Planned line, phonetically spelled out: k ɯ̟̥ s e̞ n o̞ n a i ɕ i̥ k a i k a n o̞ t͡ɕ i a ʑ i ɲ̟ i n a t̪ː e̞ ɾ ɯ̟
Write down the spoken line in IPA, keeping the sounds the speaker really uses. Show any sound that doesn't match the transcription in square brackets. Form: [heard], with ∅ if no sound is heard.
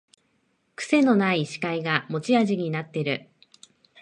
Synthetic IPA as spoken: k ɯ̟̥ s e̞ n o̞ n a i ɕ i̥ k a i [ɡ] a [m] o̞ t͡ɕ i a ʑ i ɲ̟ i n a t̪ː e̞ ɾ ɯ̟